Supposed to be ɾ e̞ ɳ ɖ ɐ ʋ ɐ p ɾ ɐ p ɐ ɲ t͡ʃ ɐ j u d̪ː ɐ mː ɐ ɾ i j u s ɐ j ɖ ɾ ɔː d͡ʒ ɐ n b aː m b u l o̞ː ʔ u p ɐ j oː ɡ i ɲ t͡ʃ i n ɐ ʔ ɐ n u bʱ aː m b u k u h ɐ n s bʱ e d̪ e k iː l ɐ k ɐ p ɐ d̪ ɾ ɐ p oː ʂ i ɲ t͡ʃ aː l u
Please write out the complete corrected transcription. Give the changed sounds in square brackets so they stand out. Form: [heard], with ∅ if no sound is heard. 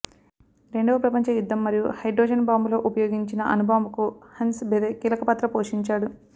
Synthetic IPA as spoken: ɾ e̞ ɳ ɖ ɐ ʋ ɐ p ɾ ɐ p ɐ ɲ t͡ʃ ɐ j u d̪ː ɐ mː ɐ ɾ i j u [h] ɐ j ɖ ɾ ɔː d͡ʒ ɐ n b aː m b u l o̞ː ʔ u p ɐ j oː ɡ i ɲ t͡ʃ i n ɐ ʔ ɐ n u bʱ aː m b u k u h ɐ n s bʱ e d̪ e k iː l ɐ k ɐ p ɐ [t̪] ɾ ɐ p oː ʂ i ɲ t͡ʃ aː [ɽ] u